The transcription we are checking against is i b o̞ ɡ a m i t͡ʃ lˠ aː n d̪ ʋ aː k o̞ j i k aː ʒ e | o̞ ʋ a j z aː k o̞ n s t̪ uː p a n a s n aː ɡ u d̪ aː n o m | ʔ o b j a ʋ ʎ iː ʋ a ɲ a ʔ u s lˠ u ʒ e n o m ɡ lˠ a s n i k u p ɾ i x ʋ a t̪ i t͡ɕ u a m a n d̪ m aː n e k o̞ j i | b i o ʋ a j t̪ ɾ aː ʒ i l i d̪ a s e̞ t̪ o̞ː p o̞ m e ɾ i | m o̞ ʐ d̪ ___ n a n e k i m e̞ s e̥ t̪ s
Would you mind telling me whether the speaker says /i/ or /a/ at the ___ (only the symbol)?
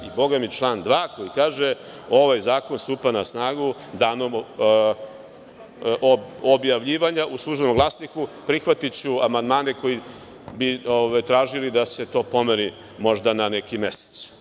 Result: a